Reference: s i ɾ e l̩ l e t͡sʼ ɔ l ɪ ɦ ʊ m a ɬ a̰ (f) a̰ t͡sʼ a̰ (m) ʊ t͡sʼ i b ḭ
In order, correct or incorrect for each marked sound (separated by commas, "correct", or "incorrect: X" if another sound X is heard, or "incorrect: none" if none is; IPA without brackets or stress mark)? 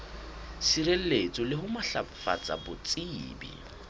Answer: correct, incorrect: b